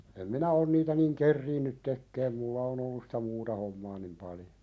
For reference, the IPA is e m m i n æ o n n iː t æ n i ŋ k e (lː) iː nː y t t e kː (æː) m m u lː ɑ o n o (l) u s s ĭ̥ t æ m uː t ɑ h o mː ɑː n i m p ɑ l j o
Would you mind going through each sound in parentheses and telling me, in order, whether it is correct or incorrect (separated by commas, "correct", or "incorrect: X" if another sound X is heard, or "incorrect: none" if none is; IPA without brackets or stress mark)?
incorrect: rː, incorrect: eː, incorrect: lː